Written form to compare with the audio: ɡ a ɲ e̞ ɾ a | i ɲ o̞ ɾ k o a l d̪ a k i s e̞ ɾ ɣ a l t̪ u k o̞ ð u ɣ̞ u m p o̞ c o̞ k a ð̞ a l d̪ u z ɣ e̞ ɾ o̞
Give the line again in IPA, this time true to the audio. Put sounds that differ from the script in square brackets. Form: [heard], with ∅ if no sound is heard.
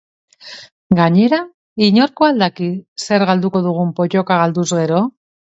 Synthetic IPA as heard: ɡ a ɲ e̞ ɾ a | i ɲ o̞ ɾ k o a l d̪ a k i s e̞ ɾ ɣ a l [d̪] u k o̞ ð u ɣ̞ u m p o̞ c o̞ k a [ɣ̞] a l d̪ u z ɣ e̞ ɾ o̞